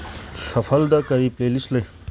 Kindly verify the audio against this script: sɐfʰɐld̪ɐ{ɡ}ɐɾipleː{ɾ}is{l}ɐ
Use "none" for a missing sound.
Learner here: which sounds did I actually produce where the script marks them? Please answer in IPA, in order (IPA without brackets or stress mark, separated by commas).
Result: k, l, l